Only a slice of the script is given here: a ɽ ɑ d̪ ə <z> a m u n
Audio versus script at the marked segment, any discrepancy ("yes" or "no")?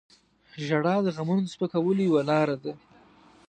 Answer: yes